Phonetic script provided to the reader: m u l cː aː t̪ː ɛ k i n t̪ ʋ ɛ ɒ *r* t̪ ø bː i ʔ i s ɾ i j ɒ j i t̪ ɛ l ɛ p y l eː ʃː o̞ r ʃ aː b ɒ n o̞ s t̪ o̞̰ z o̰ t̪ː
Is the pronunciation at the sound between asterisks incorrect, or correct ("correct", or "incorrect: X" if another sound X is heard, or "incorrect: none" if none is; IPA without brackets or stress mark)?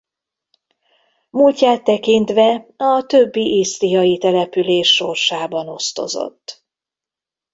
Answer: incorrect: none